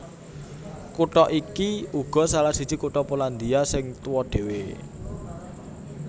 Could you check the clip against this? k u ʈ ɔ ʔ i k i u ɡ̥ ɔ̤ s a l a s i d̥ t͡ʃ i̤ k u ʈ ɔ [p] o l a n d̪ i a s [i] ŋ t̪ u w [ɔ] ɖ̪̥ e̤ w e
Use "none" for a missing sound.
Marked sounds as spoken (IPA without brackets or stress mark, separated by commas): p, ɪ, ɔ